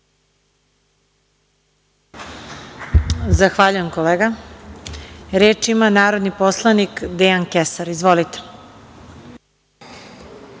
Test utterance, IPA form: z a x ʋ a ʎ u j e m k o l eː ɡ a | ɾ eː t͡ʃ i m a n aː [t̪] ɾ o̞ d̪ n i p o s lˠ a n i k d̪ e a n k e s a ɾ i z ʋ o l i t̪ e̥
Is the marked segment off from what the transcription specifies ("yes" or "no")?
yes